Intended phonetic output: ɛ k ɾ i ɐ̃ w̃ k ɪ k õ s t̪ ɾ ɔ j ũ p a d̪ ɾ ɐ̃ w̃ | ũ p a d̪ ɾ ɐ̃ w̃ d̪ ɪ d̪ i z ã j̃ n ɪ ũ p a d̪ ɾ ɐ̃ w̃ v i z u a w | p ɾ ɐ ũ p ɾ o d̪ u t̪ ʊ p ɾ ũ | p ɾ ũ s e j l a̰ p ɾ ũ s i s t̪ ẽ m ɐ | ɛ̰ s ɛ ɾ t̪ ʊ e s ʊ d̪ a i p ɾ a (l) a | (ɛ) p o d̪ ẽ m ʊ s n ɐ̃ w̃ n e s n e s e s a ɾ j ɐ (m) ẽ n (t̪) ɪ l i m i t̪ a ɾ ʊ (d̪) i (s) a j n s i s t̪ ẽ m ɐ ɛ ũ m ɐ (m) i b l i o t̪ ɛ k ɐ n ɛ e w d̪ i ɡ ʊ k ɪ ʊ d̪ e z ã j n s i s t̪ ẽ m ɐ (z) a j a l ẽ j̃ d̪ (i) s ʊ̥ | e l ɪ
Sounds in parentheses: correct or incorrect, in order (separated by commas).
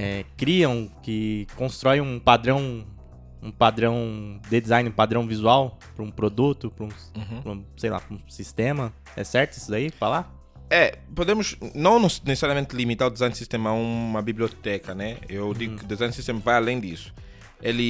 correct, correct, correct, correct, correct, incorrect, incorrect, incorrect, correct